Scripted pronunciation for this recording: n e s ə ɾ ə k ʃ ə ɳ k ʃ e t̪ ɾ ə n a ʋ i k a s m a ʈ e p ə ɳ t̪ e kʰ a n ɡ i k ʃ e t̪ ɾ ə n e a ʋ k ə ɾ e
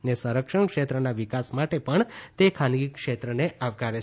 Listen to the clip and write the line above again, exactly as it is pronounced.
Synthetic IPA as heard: n e s ə ɾ ə k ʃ ə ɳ k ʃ e t̪ ɾ ə n a ʋ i k a s m a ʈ e p ə ɳ t̪ e kʰ a n ɡ i k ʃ e t̪ ɾ ə n e a ʋ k a ɾ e